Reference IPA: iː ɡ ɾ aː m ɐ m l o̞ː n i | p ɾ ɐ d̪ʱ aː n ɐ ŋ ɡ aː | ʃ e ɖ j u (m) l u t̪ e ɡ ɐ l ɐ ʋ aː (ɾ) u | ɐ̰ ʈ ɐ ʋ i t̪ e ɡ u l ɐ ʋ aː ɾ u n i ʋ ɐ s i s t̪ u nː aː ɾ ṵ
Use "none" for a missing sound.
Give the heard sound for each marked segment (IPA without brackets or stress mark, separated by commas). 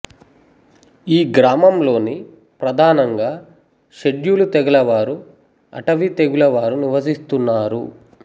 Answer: none, ɾ